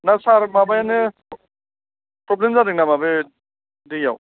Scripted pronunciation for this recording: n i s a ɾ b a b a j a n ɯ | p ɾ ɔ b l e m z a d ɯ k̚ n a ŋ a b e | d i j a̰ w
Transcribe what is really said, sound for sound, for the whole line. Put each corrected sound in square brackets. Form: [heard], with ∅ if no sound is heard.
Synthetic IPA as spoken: n [a] s a ɾ [m] a b a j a n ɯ | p ɾ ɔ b l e m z a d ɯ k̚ n a [m] a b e | d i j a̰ w